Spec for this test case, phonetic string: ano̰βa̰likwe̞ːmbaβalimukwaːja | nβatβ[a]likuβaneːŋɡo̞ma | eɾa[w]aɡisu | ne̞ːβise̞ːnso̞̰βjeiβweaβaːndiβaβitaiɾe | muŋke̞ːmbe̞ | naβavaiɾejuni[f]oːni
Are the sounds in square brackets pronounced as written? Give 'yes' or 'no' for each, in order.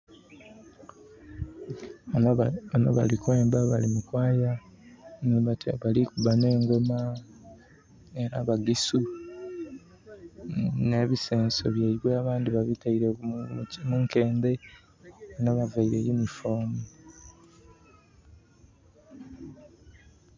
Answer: yes, no, yes

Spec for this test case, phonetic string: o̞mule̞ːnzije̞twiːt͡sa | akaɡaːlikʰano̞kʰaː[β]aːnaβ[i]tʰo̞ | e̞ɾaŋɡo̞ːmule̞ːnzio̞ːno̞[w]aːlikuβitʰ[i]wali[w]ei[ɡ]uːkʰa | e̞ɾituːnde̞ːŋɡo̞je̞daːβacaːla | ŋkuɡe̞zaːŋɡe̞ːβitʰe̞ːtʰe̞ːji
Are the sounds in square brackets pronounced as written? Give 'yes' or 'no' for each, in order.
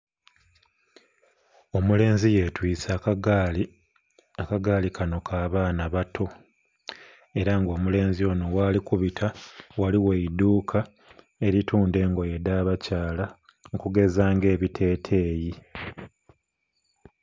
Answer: yes, no, yes, no, yes, no

